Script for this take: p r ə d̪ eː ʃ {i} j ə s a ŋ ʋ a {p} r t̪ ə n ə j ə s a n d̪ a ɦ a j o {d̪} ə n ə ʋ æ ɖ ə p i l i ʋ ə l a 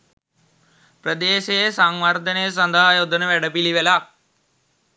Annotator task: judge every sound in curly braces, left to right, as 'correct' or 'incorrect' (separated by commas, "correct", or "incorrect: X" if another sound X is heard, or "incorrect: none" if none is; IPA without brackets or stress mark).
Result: incorrect: e, incorrect: none, correct